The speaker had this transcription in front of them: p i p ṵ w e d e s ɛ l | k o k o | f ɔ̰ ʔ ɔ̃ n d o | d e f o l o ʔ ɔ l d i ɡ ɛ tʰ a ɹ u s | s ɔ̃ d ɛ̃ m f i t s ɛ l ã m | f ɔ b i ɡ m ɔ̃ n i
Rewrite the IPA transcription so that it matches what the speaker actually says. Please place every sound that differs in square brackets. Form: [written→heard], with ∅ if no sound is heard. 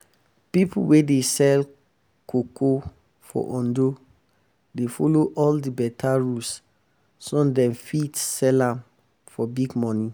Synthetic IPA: p i p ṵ w e d e s ɛ l | k o k o | f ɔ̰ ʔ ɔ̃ n d o | d e f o l o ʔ ɔ l d i [ɡ→b] ɛ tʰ a ɹ u s | s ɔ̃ d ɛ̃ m f i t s ɛ l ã m | f ɔ b i ɡ m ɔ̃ n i